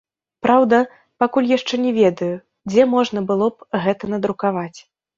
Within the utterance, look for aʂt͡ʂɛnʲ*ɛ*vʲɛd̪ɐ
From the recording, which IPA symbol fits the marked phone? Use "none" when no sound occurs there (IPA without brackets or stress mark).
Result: ɛ